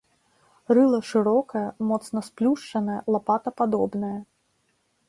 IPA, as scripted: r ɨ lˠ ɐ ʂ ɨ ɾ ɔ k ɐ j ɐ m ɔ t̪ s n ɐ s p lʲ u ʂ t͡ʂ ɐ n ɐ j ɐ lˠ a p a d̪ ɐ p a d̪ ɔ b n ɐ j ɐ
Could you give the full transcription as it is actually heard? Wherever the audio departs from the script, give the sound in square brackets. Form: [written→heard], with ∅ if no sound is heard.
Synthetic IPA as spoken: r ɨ lˠ ɐ ʂ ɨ ɾ ɔ k ɐ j ɐ m ɔ t̪ s n ɐ s p lʲ u ʂ t͡ʂ ɐ n ɐ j ɐ lˠ a p a [d̪→t̪] ɐ p a d̪ ɔ b n ɐ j ɐ